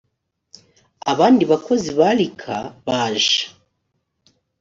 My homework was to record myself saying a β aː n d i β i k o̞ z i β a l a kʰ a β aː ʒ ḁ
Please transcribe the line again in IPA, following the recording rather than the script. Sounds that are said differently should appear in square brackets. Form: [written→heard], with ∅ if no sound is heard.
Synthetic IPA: a β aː n d i β [i→a] k o̞ z i β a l [a→i] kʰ a β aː ʒ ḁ

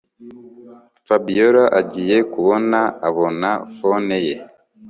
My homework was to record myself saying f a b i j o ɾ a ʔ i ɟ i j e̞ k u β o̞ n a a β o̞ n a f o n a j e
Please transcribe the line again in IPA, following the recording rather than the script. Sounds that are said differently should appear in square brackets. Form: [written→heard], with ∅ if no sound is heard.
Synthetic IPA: f a b i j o ɾ a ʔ [i→a] ɟ i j e̞ k u β o̞ n a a β o̞ n a f o n [a→e] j e

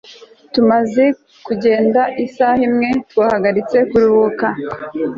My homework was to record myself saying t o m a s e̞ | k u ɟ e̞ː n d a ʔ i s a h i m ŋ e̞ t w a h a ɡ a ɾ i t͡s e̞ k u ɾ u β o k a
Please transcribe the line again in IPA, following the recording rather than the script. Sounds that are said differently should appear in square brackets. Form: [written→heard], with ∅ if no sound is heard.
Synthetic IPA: t [o→u] m a [s→z] e̞ | k u ɟ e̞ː n d a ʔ i s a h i m ŋ e̞ t w a h a ɡ a ɾ i t͡s e̞ k u ɾ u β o k a

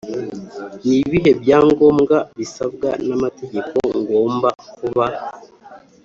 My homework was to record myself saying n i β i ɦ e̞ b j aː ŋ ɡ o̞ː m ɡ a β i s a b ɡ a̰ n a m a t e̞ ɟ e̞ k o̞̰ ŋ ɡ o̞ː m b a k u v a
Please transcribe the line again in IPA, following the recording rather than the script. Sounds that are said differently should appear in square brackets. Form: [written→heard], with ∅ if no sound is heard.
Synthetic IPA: n i β i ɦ e̞ b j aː ŋ ɡ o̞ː m ɡ a β i s a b ɡ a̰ n a m a t e̞ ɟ e̞ k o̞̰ ŋ ɡ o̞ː m b a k u [v→β] a

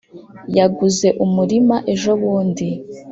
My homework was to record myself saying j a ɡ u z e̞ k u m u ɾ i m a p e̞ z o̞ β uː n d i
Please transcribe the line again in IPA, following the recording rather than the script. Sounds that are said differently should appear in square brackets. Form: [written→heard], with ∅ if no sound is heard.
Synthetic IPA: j a ɡ u z e̞ [k→ʔ] u m u ɾ i m a [p→ʔ] e̞ [z→ʒ] o̞ β uː n d i

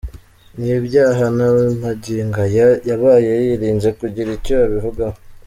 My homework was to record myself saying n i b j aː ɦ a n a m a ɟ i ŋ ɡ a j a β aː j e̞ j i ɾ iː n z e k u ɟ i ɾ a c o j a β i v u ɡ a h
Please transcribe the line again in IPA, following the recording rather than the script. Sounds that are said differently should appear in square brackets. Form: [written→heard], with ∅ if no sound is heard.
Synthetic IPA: n i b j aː ɦ a n a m a ɟ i ŋ ɡ a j a β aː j e̞ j i ɾ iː n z e k u ɟ i ɾ [a→i] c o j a β i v u ɡ a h

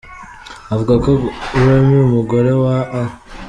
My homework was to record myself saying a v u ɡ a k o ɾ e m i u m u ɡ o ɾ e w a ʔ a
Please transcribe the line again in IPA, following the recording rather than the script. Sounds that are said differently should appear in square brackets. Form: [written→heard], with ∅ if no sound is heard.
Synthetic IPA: a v u ɡ a k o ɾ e m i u m u ɡ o ɾ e w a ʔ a

